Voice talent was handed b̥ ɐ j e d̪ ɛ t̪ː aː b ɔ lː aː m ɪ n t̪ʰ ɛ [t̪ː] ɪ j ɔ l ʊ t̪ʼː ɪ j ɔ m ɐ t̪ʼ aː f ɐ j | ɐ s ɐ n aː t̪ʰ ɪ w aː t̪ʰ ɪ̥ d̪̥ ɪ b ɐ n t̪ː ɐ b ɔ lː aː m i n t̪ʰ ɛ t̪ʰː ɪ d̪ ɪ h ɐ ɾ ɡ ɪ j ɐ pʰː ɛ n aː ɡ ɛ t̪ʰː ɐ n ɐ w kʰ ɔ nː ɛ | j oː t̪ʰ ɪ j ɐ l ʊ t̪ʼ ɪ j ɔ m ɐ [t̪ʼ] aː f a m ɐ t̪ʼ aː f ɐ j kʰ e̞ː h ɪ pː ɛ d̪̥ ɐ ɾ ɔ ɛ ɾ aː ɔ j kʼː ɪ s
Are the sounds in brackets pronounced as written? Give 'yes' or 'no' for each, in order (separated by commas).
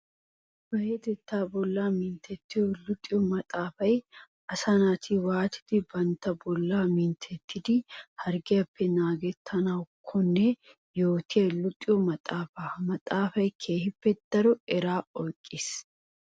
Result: yes, yes